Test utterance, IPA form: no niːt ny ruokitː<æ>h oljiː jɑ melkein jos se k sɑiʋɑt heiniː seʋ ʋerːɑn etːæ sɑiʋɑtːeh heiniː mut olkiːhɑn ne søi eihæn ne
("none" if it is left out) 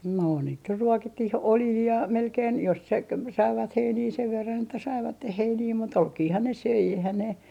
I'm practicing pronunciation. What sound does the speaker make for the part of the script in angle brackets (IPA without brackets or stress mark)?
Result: i